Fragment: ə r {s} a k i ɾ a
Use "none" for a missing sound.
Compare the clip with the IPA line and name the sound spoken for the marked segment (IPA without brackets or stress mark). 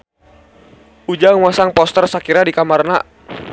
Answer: s